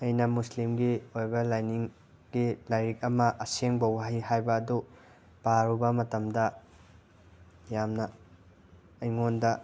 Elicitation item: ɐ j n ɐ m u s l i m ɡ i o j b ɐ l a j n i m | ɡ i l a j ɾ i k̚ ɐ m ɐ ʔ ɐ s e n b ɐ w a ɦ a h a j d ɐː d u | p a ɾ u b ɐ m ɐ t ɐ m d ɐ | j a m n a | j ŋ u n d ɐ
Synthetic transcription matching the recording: ɐ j n ɐ m u s l i m ɡ i o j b ɐ l a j n i ŋ | ɡ i l a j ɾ i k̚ ɐ m ɐ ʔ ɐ s e ŋ b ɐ w a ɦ i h a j b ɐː d u | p a ɾ u b ɐ m ɐ t ɐ m d ɐ | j a m n ɐ | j ŋ o n d ɐ